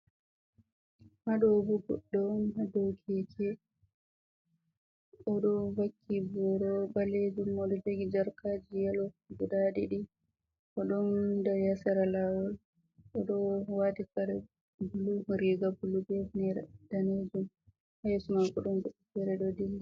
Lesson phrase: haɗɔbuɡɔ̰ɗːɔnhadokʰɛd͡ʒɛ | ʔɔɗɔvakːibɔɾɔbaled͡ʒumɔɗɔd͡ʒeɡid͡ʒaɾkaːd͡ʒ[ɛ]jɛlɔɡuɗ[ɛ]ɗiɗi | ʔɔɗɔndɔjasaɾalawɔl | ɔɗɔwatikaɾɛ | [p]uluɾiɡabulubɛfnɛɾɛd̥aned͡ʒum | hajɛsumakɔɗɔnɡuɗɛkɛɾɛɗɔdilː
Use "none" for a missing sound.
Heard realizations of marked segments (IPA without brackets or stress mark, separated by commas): i, a, b